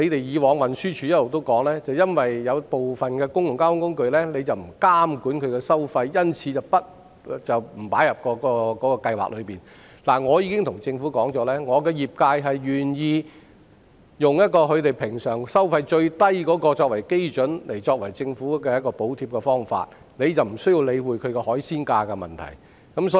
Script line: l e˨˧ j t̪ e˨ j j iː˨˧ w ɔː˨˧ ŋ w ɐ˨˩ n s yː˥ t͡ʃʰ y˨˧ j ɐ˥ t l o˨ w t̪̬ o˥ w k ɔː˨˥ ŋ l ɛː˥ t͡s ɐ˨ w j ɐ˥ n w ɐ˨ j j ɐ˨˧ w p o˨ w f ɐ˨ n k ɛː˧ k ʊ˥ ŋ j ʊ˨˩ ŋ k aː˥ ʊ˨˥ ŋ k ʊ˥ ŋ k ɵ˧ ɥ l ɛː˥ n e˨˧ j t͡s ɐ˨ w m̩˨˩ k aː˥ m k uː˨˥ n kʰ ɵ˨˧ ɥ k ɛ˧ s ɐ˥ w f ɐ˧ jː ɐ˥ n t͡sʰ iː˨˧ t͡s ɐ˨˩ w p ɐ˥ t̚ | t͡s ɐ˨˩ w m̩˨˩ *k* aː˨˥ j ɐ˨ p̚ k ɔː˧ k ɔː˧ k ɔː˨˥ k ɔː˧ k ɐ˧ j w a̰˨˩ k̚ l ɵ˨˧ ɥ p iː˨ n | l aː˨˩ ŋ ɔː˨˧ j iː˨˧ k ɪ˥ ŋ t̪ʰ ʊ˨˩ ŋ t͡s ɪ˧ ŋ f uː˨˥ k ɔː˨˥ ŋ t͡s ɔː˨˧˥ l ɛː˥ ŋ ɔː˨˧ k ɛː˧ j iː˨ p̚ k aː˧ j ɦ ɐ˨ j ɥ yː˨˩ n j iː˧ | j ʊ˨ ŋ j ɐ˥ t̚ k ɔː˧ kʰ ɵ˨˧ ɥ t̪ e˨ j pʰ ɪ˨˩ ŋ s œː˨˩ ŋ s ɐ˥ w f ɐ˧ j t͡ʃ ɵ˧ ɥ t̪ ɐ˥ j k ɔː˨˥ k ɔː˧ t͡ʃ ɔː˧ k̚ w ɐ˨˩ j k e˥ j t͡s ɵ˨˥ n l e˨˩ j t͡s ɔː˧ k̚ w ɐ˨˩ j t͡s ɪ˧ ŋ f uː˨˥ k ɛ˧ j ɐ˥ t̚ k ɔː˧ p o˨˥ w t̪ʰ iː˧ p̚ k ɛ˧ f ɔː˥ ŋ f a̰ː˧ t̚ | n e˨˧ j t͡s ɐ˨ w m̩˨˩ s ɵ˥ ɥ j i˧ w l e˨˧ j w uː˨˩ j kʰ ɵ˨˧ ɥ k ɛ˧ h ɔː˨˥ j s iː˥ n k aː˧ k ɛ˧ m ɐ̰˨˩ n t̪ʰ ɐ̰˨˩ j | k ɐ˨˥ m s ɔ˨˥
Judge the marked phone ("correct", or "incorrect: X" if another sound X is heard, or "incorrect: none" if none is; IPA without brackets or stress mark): incorrect: p